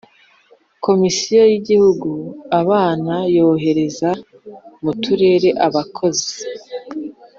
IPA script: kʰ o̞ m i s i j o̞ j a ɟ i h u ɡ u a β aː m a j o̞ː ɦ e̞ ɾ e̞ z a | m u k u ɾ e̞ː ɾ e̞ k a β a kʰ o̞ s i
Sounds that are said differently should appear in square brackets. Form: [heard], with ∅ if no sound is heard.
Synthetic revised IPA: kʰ o̞ m i s i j o̞ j [i] ɟ i h u ɡ u a β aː [n] a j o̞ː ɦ e̞ ɾ e̞ z a | m u [t] u ɾ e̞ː ɾ e̞ [ʔ] a β a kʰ o̞ [z] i